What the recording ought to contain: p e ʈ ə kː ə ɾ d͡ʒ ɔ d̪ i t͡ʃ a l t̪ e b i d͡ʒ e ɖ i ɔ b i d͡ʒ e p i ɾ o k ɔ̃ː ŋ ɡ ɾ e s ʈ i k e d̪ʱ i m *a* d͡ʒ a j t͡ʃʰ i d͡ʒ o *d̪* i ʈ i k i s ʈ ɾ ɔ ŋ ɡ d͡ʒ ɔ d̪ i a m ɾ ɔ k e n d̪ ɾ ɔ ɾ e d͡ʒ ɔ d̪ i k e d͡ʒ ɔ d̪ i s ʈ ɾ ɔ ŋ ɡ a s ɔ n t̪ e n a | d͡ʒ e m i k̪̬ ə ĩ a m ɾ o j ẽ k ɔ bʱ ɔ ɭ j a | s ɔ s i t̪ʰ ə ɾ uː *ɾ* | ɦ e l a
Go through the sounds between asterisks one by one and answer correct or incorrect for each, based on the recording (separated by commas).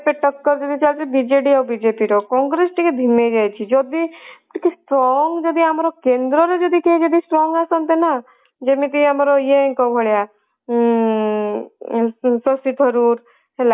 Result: incorrect, correct, correct